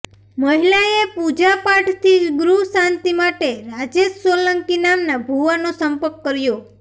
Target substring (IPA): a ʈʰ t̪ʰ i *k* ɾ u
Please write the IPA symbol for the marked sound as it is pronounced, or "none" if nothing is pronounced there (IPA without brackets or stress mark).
ɡ